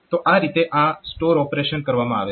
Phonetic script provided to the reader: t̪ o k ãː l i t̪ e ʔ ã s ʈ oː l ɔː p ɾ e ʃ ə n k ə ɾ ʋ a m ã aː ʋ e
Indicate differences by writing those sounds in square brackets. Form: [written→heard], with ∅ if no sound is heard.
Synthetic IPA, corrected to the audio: t̪ o [k→ʔ] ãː [l→ɾ] i t̪ e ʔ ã s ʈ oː [l→ɾ] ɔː p ɾ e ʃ ə n k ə ɾ ʋ a m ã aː ʋ e